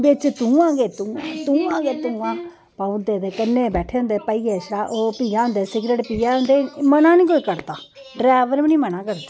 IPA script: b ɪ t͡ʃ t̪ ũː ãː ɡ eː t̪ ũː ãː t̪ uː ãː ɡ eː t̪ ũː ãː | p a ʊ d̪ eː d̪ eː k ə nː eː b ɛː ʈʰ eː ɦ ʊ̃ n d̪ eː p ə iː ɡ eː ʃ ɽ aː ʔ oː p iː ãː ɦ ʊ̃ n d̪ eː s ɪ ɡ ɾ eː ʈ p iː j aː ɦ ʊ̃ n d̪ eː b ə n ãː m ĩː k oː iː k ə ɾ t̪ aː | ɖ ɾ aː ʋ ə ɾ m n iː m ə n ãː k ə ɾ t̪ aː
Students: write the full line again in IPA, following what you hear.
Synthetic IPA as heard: b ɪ t͡ʃ t̪ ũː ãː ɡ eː t̪ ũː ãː t̪ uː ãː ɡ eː t̪ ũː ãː | p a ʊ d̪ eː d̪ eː k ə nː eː b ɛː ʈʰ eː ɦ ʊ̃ n d̪ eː p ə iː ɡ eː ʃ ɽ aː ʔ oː p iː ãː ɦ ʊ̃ n d̪ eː s ɪ ɡ ɾ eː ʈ p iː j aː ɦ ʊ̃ n d̪ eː m ə n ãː n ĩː k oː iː k ə ɾ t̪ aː | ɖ ɾ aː ʋ ə ɾ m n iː m ə n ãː k ə ɾ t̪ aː